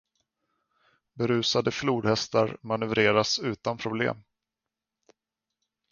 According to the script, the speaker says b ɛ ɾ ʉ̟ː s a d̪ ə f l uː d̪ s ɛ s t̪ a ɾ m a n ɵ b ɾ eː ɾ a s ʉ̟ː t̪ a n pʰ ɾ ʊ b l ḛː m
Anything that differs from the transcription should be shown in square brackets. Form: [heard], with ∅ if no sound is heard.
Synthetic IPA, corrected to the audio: b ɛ ɾ ʉ̟ː s a d̪ ə f l uː d̪ [h] ɛ s t̪ a ɾ m a n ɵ [v] ɾ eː ɾ a s ʉ̟ː t̪ a n pʰ ɾ ʊ b l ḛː m